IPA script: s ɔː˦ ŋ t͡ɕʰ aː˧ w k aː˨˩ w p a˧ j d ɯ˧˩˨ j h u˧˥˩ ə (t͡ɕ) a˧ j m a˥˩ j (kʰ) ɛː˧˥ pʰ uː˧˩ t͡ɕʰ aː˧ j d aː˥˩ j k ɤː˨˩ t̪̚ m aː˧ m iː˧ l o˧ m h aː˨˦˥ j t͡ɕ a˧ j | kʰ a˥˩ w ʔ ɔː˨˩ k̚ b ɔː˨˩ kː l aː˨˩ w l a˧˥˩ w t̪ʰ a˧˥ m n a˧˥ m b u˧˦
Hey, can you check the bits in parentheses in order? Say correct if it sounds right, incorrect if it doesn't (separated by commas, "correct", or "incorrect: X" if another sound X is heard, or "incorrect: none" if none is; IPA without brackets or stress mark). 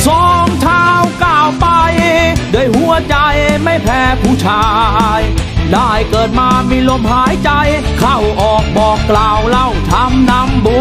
correct, incorrect: pʰ